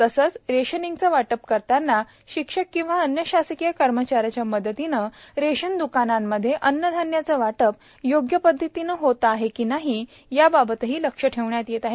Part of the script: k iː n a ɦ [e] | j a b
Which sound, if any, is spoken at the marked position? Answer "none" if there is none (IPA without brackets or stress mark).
i